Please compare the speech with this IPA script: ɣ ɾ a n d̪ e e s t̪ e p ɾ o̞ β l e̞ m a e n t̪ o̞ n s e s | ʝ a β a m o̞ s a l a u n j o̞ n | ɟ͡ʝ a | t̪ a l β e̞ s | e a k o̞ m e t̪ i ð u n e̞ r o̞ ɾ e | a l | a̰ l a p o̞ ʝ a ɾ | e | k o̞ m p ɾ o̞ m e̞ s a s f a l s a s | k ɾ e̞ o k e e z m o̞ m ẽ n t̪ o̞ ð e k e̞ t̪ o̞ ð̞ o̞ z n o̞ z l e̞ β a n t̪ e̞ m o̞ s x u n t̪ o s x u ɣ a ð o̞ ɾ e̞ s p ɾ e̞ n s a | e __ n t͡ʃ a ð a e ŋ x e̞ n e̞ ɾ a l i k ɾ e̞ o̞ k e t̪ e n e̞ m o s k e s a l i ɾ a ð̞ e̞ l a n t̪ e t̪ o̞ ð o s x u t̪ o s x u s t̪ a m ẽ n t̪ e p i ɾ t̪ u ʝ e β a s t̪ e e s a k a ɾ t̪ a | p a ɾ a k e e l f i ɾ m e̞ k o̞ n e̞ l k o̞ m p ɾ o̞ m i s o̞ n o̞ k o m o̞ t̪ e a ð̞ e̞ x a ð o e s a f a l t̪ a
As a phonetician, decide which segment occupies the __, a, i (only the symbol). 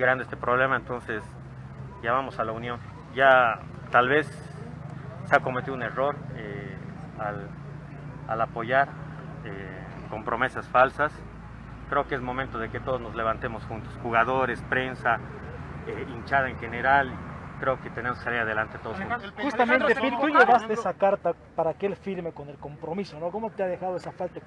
i